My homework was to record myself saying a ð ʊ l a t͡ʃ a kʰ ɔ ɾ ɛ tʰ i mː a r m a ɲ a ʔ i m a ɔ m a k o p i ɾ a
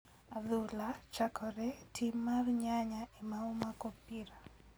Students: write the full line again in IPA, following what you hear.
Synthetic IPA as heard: a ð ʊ l a t͡ʃ a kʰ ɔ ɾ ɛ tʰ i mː a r ɲ a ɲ a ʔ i m a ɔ m a k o p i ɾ a